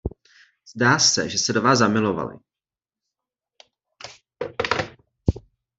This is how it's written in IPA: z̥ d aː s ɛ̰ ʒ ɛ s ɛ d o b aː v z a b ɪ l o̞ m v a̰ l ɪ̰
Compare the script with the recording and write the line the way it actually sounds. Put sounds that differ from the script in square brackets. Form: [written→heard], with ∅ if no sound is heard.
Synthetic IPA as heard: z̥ d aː s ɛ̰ ʒ ɛ s ɛ d o [b→v] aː [v→z] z a [b→m] ɪ l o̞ [m→∅] v a̰ l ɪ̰